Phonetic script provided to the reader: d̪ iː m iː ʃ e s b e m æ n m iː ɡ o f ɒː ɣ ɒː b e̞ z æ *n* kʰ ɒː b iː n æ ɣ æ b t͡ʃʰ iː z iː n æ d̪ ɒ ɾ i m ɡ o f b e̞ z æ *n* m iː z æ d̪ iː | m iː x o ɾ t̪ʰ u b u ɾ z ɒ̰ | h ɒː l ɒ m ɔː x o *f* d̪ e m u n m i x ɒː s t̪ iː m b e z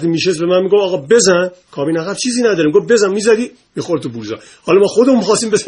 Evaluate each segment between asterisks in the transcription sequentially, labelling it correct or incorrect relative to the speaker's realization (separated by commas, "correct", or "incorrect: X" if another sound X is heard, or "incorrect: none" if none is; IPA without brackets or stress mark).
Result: correct, correct, incorrect: none